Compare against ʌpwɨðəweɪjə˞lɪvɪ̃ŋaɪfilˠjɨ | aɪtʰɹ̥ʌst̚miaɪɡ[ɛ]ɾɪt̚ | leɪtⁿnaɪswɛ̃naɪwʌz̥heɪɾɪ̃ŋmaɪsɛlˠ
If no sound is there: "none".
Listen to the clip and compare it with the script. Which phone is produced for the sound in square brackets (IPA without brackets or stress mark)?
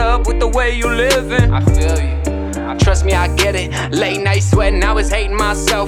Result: ɛ